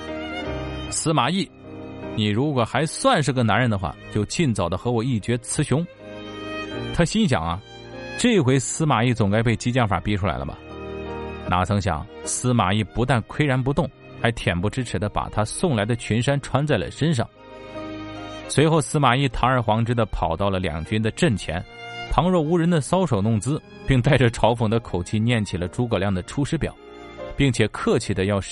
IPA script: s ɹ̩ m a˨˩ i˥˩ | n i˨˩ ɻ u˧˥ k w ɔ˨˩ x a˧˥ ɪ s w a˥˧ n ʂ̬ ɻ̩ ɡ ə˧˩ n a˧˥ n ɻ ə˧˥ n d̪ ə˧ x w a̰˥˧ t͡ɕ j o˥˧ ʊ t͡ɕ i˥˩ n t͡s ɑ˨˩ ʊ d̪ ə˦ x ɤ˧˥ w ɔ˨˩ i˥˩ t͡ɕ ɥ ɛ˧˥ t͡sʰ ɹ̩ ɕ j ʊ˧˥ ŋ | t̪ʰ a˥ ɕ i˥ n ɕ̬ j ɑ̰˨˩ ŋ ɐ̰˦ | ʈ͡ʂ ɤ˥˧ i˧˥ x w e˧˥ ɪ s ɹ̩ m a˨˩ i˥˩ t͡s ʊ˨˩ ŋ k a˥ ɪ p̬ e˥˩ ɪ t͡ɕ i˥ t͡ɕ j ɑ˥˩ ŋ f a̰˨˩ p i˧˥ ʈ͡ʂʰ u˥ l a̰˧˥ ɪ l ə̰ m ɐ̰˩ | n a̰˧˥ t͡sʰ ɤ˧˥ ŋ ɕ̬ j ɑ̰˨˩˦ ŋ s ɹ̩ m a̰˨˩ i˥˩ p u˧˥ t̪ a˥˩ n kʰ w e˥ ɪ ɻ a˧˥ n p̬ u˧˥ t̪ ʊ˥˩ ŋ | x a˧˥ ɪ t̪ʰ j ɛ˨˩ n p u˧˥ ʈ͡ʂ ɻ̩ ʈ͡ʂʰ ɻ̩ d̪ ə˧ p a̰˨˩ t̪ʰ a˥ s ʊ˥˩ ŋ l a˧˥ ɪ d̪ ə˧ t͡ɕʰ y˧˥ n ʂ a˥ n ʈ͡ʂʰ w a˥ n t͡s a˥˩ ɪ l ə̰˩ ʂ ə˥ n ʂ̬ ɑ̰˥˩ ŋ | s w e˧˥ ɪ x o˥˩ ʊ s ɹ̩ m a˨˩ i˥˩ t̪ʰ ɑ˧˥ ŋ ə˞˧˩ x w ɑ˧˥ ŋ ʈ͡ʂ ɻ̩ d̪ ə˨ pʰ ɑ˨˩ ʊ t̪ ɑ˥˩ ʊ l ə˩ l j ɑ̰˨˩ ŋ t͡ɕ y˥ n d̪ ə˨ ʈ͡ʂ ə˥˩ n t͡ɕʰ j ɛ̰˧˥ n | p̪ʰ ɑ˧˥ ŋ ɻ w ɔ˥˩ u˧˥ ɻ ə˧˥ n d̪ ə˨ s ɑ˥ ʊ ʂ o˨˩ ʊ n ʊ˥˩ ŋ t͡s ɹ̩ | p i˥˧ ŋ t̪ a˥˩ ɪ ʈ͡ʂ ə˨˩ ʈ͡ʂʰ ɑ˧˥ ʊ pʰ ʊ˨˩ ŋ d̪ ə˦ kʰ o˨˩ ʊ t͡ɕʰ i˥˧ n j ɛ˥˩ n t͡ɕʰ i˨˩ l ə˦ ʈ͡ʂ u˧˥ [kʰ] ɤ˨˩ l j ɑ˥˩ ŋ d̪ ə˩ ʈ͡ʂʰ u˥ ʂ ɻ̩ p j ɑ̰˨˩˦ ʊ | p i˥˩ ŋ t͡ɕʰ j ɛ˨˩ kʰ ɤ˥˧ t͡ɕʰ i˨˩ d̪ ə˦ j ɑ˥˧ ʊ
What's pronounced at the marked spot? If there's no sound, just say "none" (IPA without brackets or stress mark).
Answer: k